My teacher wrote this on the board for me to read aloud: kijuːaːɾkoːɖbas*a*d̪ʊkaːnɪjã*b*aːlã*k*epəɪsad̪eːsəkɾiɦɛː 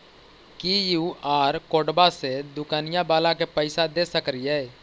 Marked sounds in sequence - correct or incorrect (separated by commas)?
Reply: incorrect, correct, correct